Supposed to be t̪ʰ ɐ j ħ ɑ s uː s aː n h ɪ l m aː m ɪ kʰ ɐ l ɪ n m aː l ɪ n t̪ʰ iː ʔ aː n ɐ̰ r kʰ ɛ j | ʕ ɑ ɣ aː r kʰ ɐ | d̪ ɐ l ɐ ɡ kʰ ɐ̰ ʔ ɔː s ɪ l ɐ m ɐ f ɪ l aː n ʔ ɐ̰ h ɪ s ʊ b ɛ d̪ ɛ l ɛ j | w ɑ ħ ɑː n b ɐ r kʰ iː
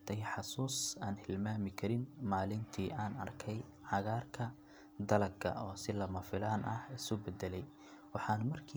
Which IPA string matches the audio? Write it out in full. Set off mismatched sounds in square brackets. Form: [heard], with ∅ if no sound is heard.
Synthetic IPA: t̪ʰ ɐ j ħ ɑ s uː s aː n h ɪ l m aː m ɪ kʰ ɐ [ɾ] ɪ n m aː l ɪ n t̪ʰ iː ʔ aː n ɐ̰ r kʰ ɛ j | ʕ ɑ ɣ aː r kʰ ɐ | d̪ ɐ l ɐ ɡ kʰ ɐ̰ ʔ ɔː s ɪ l ɐ m ɐ f ɪ l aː n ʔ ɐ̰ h ɪ s ʊ b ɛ d̪ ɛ l ɛ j | w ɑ ħ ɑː n [m] ɐ r kʰ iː